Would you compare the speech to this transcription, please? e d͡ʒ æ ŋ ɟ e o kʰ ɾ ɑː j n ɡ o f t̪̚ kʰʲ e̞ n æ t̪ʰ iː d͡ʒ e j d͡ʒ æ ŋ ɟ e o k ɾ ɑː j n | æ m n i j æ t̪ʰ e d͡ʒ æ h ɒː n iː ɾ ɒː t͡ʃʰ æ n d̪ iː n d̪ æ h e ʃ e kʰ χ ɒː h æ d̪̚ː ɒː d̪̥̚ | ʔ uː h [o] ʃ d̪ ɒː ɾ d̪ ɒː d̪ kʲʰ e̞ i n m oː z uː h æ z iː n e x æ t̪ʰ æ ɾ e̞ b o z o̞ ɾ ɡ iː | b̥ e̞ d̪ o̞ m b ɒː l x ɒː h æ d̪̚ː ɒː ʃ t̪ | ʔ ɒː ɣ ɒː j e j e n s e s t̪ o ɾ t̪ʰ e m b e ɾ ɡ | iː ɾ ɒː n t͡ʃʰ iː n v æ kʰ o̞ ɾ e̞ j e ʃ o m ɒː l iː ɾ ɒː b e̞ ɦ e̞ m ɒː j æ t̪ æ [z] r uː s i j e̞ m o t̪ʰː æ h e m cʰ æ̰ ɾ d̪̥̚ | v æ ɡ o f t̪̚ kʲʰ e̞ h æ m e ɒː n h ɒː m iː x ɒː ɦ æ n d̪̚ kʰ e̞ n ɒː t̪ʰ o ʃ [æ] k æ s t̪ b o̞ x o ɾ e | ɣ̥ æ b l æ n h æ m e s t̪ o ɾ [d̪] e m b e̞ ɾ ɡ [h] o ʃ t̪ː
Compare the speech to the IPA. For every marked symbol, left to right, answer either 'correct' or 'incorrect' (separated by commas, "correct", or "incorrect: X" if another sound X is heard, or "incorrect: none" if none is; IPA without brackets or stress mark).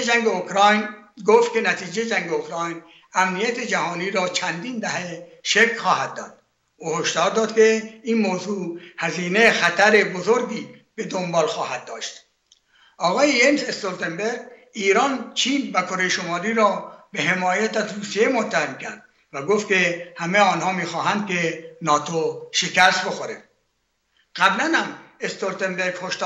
correct, correct, incorrect: e, incorrect: t̪, correct